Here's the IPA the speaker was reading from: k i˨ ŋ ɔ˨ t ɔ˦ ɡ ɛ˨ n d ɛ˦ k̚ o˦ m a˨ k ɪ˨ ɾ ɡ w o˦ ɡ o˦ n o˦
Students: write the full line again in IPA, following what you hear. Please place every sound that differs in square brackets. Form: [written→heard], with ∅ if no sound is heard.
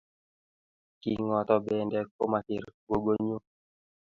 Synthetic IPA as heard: k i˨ ŋ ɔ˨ t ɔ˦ [ɡ→b] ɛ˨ n d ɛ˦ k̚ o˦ m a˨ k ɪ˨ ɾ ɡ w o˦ ɡ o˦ [n→ɲ] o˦